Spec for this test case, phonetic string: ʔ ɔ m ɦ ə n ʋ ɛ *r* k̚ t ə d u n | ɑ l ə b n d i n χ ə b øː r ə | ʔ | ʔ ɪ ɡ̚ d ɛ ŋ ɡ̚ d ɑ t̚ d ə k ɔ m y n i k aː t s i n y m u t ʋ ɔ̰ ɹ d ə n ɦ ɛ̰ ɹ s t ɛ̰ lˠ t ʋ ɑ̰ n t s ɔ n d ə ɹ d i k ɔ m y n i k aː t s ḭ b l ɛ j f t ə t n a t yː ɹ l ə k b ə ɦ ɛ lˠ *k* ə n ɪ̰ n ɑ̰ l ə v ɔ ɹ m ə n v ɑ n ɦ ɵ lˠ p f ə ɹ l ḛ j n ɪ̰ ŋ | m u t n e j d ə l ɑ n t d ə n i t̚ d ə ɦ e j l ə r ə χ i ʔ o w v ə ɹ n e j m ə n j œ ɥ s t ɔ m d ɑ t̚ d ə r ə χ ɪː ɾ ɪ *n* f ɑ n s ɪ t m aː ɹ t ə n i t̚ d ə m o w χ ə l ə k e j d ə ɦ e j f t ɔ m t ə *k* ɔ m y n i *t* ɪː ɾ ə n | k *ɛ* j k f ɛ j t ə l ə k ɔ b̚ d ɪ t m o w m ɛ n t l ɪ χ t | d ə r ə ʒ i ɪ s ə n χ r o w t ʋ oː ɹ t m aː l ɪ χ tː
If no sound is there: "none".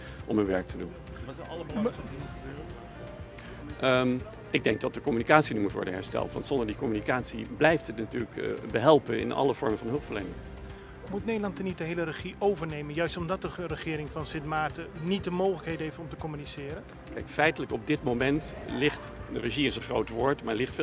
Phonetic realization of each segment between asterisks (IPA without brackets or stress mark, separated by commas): ɹ, p, ŋ, k, s, ɛ